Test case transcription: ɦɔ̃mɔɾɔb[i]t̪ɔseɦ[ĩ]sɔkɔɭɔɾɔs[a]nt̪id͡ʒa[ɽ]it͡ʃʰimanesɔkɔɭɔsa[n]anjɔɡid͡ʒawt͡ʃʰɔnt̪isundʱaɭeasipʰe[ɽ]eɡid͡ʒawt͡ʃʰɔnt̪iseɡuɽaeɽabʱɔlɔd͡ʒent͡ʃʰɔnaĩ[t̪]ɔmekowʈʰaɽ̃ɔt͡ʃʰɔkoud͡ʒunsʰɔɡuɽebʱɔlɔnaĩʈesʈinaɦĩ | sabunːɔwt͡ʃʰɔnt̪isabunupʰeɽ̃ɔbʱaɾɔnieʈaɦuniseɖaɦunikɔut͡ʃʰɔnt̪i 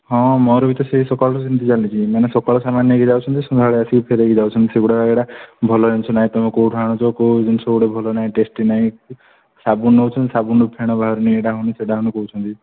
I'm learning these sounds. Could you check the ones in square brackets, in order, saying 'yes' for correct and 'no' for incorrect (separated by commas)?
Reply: yes, no, no, no, no, no, yes